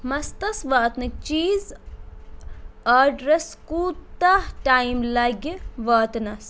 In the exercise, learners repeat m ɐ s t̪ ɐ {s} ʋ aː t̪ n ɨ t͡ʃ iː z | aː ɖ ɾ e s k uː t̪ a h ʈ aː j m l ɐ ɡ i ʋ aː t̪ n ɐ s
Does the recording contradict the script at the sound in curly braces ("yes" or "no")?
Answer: no